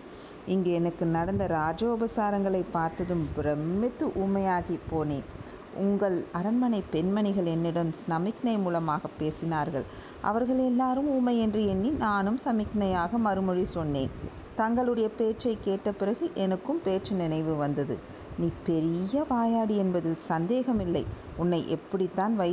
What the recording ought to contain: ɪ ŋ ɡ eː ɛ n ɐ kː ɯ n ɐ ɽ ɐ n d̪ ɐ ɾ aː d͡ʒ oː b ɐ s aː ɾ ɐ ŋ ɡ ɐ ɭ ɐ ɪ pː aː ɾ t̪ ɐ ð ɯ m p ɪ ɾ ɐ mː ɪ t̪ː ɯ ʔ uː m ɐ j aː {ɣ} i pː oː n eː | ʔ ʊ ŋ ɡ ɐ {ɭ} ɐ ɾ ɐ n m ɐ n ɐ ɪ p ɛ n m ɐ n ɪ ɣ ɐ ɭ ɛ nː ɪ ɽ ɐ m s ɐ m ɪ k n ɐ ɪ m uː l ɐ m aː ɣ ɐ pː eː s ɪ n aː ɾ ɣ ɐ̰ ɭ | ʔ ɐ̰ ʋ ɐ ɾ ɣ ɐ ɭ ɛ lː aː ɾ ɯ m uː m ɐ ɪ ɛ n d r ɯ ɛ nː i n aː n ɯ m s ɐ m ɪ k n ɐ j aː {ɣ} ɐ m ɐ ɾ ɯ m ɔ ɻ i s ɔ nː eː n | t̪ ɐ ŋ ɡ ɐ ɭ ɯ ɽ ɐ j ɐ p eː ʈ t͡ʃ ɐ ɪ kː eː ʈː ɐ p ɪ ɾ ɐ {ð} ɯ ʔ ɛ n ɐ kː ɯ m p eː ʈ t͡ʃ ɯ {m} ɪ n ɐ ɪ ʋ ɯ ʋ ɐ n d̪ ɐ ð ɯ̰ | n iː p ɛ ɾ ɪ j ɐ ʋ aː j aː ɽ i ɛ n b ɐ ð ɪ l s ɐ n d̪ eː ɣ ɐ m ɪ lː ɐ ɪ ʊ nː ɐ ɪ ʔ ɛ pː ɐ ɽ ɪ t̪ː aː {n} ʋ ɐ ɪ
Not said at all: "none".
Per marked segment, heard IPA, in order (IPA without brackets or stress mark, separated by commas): ɣ, ɭ, ɣ, ɣ, n, n